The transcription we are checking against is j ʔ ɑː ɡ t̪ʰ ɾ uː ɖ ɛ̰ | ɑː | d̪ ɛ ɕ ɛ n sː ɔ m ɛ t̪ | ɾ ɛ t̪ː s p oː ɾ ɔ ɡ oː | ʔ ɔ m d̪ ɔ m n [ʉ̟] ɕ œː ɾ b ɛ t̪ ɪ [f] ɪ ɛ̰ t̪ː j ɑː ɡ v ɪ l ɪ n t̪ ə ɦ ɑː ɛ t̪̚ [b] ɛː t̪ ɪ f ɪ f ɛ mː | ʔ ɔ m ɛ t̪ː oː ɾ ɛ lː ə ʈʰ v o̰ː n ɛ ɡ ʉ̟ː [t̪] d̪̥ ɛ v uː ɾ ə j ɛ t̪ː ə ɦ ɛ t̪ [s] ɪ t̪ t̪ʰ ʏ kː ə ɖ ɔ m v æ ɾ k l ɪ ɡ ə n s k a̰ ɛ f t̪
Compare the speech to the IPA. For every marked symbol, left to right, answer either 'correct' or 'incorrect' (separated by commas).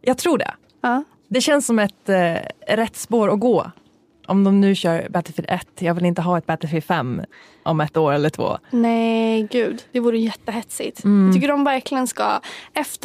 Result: incorrect, correct, correct, incorrect, correct